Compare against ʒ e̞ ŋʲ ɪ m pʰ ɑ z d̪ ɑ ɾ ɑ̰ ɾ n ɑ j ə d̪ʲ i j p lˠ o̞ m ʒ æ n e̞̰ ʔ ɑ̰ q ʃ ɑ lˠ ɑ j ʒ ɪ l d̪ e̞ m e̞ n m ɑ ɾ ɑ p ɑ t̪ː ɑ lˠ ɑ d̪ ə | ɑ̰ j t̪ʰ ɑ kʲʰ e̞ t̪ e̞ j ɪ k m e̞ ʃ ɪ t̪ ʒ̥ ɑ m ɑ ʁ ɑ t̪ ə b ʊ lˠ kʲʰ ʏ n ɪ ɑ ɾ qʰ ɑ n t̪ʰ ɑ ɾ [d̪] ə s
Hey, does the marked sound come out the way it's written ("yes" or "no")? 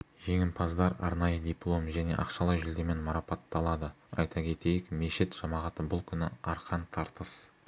no